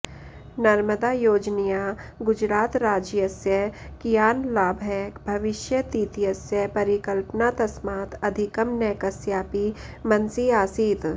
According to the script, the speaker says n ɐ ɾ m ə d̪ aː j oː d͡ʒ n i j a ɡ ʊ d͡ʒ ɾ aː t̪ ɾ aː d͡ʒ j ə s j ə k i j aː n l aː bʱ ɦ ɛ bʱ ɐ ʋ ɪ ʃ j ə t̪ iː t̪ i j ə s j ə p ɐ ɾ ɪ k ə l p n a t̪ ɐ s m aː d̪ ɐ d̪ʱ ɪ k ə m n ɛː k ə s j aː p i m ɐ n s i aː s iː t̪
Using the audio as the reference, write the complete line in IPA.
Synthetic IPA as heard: n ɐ ɾ m ə d̪ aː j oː d͡ʒ n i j a ɡ ʊ d͡ʒ ɾ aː t̪ ɾ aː d͡ʒ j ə s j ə k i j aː n l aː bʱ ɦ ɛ bʱ ɐ ʋ ɪ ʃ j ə t̪ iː t̪ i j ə s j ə p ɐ ɾ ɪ k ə l p n a t̪ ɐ s m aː t̪ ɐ d̪ʱ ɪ k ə m n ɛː k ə s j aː p i m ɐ n s i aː s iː t̪